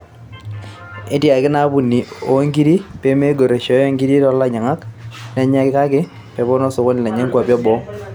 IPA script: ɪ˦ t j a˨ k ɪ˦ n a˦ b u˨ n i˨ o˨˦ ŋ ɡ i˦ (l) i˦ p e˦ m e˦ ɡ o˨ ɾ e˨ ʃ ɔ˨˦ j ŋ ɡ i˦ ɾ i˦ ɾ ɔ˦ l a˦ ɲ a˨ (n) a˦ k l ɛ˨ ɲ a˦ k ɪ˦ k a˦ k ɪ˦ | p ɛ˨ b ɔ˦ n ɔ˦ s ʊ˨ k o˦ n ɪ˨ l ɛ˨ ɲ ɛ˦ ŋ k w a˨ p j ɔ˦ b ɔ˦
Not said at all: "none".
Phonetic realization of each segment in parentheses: ɾ, ŋ

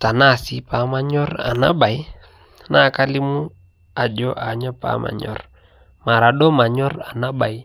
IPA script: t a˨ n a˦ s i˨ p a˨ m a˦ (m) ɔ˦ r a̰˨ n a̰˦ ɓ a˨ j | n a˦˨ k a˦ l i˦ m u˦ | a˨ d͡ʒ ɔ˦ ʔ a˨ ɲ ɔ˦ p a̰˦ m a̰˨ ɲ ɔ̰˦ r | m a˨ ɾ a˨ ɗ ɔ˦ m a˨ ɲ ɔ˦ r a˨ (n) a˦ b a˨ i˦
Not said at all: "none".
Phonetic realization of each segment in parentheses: ɲ, n

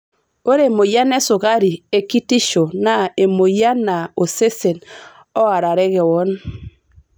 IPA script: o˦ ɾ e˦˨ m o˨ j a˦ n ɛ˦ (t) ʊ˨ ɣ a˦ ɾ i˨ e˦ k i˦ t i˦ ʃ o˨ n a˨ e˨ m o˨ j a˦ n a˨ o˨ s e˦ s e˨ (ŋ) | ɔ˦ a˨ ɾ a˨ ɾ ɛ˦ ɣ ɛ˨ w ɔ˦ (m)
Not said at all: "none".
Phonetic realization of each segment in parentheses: s, n, n

